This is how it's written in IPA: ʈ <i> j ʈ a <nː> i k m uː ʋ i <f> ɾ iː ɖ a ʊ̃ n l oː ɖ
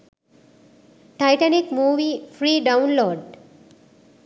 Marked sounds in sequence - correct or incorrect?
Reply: incorrect: a, incorrect: n, correct

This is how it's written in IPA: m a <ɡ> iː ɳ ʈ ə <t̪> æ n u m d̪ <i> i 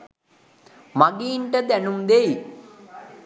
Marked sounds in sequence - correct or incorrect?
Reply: correct, incorrect: d̪, incorrect: e

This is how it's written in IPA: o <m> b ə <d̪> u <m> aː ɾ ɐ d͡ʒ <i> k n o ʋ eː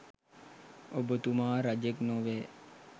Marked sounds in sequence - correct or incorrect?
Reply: incorrect: none, incorrect: t̪, correct, incorrect: e

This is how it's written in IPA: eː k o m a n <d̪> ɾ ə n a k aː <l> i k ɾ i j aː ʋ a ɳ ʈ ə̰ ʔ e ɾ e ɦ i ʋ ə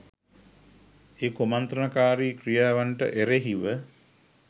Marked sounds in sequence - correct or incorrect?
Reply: incorrect: t̪, incorrect: ɾ

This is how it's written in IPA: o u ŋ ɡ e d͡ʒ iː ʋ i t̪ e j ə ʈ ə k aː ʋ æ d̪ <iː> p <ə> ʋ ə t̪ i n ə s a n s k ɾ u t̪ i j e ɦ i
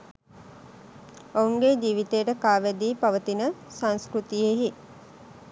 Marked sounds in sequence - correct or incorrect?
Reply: correct, incorrect: a

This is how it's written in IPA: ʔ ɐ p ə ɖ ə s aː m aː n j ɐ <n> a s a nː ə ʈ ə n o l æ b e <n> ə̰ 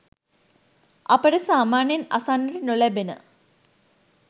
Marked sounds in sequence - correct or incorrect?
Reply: correct, correct

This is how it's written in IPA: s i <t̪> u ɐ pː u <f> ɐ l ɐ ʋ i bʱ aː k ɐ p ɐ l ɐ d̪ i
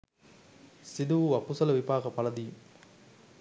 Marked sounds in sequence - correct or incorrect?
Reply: incorrect: d̪, incorrect: s

